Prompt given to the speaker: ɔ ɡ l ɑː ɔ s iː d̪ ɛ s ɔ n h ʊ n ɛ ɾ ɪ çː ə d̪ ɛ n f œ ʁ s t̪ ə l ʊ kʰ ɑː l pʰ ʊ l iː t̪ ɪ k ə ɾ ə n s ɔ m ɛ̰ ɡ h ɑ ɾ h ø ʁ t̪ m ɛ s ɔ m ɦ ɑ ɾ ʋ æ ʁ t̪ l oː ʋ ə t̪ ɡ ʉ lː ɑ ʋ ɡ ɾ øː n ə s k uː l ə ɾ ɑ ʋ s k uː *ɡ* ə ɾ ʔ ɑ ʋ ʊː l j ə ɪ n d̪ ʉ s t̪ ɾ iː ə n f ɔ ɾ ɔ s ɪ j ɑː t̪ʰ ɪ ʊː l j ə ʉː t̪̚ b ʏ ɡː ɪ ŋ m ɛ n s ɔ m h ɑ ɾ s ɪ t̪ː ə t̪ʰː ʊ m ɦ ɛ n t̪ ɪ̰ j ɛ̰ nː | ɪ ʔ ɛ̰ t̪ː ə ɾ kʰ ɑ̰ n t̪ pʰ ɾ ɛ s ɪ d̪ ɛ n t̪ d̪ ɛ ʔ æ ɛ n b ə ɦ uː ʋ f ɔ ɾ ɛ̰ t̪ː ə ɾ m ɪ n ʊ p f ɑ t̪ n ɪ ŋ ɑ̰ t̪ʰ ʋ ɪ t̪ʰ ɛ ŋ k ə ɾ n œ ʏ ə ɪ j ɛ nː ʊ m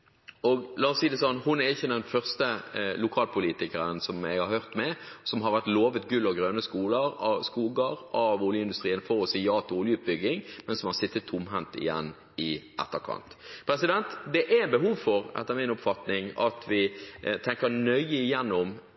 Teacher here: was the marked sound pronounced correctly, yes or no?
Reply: yes